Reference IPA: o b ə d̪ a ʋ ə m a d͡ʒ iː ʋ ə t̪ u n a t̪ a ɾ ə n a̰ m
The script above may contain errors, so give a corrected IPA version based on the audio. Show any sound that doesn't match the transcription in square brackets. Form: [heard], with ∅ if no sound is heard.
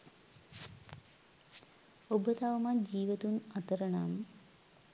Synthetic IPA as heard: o b ə [t̪] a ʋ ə m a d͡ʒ iː ʋ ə t̪ u n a t̪ [ə] ɾ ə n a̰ m